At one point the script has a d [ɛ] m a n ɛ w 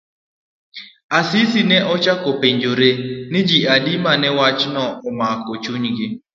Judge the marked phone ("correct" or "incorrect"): incorrect